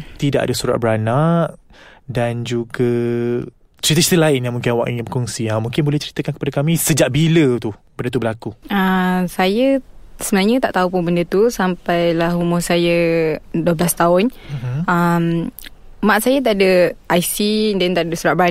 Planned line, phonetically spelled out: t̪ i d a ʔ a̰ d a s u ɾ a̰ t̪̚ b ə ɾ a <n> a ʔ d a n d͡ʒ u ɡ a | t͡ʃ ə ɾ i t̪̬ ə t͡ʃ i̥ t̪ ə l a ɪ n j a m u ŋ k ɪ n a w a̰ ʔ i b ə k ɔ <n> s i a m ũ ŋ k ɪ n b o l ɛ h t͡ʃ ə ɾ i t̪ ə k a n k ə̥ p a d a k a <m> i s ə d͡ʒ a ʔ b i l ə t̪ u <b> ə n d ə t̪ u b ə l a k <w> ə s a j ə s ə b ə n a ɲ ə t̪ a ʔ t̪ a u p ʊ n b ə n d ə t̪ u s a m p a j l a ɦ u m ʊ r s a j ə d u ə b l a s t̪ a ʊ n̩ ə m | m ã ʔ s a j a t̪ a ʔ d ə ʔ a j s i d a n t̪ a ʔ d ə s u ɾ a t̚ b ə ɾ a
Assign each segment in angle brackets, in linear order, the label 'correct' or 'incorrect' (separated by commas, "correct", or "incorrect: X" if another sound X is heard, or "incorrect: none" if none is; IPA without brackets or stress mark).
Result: correct, incorrect: ŋ, correct, correct, incorrect: u